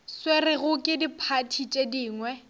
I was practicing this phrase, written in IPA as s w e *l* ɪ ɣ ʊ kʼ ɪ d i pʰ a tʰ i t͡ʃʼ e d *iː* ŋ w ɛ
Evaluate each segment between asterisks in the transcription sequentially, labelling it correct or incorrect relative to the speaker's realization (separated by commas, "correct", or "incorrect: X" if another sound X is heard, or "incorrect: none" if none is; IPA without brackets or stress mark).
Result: incorrect: r, correct